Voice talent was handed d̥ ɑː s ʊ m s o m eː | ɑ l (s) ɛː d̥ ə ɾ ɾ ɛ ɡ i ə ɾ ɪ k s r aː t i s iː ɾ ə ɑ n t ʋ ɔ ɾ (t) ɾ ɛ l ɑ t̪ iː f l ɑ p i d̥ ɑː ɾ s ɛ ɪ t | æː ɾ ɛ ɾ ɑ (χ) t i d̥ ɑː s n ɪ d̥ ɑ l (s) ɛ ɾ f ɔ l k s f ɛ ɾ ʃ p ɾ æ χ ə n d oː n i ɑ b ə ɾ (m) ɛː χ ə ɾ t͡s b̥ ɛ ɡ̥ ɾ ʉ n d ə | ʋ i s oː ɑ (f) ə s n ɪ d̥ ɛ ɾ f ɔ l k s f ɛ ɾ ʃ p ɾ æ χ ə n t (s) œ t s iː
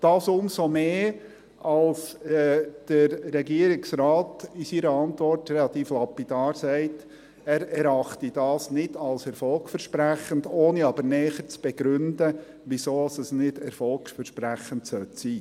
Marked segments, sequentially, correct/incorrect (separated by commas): correct, correct, correct, correct, incorrect, incorrect, correct